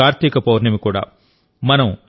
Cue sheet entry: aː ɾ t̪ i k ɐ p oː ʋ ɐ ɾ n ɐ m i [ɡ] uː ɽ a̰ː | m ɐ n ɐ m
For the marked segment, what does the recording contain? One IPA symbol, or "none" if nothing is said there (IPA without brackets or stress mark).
k